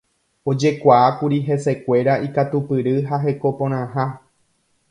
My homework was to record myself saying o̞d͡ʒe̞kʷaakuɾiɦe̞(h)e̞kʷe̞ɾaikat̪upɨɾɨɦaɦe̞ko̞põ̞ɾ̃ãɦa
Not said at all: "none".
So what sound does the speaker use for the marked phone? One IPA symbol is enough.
s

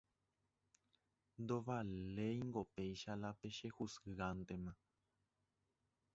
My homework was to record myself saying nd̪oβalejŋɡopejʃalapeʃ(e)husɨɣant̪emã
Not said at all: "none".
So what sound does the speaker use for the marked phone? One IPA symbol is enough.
e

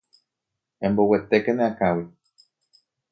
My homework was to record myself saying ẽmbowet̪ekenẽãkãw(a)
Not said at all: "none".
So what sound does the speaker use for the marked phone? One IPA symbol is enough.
i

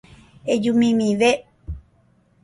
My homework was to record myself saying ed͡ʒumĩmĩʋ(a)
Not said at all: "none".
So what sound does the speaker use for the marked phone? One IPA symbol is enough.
e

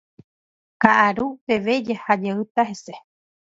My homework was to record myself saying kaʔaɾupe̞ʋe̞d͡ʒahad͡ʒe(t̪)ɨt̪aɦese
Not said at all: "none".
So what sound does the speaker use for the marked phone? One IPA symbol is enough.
none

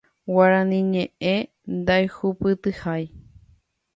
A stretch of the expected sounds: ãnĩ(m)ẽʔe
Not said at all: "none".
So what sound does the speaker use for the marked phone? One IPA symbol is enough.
ɲ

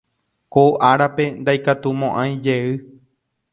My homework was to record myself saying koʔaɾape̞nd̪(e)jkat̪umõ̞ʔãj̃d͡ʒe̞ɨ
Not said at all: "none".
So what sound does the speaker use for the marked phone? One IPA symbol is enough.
a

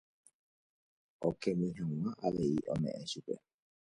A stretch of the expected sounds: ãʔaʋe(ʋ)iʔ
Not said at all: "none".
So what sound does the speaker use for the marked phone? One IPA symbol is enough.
none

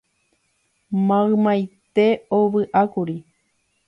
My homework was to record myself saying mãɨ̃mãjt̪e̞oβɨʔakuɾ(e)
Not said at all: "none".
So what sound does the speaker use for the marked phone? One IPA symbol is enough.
i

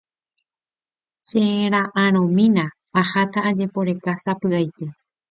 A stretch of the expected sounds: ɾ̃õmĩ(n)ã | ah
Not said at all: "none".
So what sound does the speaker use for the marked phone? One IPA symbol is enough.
n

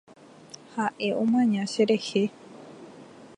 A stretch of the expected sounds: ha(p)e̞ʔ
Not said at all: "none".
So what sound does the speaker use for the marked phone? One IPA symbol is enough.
ʔ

